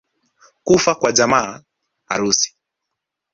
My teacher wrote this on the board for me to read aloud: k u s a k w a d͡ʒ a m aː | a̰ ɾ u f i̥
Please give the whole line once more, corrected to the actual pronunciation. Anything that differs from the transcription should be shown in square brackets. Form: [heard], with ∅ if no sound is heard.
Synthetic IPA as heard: k u [f] a k w a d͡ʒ a m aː | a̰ ɾ u [s] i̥